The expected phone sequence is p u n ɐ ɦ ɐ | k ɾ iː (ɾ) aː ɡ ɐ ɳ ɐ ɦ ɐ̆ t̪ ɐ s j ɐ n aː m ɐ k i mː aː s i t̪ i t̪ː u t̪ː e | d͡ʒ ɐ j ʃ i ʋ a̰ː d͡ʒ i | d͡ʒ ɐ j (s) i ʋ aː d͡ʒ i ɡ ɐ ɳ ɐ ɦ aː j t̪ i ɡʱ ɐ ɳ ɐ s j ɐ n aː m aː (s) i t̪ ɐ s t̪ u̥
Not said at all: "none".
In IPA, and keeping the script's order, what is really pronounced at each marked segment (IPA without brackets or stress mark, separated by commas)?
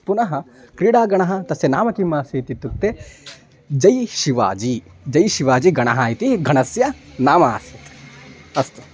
ɽ, ʃ, s